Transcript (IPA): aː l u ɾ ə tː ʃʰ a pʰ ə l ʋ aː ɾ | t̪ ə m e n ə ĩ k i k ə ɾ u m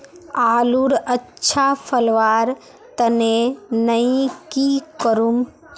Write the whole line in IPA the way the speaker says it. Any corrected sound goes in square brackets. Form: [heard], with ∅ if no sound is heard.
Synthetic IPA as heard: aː l u ɾ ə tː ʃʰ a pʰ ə l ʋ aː ɾ | t̪ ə [n] e n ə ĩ k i k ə ɾ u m